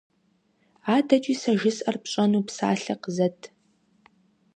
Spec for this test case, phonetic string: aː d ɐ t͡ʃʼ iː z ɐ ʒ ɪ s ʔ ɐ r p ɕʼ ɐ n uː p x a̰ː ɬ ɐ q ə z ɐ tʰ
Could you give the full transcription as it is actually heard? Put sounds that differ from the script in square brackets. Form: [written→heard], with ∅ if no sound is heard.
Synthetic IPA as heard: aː d ɐ t͡ʃʼ iː [z→s] ɐ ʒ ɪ s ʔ ɐ r p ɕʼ ɐ n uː p [x→s] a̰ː ɬ ɐ q ə z ɐ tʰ